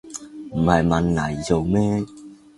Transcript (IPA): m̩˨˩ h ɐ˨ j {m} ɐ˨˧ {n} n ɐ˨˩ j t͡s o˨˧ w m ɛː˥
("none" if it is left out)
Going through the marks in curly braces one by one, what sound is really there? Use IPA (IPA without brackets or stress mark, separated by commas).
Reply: m, n